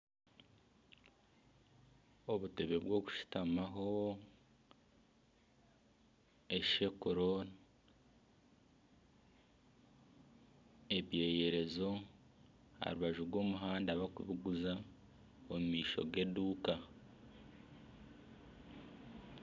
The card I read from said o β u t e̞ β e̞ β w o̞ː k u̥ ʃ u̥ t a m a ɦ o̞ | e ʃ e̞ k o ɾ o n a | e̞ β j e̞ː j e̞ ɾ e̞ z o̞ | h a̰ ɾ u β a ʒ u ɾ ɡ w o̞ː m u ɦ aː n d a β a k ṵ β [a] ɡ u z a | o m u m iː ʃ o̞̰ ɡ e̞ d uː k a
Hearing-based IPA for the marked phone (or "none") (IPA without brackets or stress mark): i